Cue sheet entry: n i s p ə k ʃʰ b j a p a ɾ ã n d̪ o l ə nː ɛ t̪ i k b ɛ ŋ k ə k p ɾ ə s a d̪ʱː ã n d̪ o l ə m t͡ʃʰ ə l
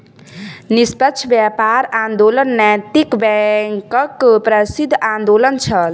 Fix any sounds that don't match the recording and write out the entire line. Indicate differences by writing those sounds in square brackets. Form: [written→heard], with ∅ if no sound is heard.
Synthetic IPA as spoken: n i s p ə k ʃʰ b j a p a ɾ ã n d̪ o l ə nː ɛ t̪ i k b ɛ ŋ k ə k p ɾ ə s [a→i] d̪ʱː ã n d̪ o l ə [m→n] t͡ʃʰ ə l